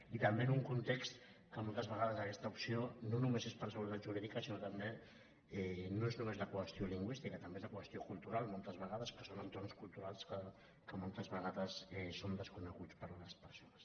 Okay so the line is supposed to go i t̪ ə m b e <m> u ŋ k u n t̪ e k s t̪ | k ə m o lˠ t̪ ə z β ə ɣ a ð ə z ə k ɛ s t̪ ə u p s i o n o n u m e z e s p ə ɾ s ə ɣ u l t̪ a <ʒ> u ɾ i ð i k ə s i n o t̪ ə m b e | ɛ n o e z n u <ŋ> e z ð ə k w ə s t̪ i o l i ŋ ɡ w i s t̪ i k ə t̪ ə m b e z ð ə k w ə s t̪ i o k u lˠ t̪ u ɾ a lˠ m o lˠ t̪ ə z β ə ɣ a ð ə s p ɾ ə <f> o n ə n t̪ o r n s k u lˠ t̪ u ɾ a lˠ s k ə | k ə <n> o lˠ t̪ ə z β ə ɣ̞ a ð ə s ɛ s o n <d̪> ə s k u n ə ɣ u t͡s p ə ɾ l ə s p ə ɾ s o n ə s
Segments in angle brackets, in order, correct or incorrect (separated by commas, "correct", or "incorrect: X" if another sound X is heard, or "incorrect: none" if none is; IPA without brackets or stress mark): incorrect: n, correct, incorrect: m, incorrect: s, incorrect: m, correct